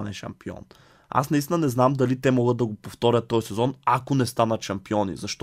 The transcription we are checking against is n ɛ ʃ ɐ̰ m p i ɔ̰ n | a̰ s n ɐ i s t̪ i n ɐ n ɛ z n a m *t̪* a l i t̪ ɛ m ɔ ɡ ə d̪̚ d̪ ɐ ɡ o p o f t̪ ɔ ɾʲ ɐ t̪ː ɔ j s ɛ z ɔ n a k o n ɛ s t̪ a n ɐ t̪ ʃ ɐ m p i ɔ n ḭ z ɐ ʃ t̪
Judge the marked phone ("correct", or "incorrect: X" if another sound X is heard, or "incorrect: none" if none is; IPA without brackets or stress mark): incorrect: d̪